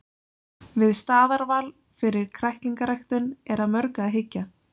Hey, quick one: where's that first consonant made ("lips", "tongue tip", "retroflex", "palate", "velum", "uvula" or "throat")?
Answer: lips